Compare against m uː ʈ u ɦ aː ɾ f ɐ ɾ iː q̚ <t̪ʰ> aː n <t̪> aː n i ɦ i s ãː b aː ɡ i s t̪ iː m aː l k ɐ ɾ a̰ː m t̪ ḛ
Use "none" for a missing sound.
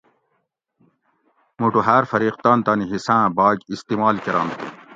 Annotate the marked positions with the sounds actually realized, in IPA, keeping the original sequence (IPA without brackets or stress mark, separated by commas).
t̪, t̪